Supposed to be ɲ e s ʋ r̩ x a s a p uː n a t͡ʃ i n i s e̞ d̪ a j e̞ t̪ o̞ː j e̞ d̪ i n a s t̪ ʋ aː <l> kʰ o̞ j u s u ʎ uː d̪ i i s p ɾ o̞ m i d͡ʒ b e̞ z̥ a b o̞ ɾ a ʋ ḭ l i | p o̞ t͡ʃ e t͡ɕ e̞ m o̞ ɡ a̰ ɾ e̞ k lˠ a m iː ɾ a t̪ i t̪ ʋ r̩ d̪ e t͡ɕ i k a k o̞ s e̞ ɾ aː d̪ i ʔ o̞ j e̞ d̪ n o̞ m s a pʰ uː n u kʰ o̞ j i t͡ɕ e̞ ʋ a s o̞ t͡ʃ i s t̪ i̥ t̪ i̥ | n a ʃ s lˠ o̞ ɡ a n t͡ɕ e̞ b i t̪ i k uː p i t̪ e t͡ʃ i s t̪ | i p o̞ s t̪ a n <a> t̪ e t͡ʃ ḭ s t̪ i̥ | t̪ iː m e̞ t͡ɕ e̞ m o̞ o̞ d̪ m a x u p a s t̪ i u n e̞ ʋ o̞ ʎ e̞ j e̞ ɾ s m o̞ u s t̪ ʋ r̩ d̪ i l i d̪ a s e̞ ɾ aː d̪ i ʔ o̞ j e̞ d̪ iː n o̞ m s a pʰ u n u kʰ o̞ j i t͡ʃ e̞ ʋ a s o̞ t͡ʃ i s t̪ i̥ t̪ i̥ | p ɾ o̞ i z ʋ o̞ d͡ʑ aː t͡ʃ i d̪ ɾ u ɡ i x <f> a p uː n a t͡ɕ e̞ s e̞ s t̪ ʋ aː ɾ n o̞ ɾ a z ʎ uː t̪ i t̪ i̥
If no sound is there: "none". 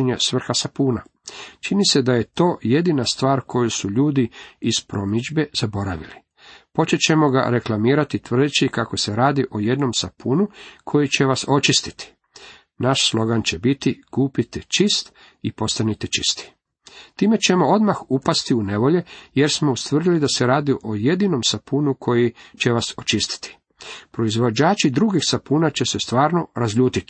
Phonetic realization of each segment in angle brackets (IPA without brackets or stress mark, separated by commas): ɾ, i, s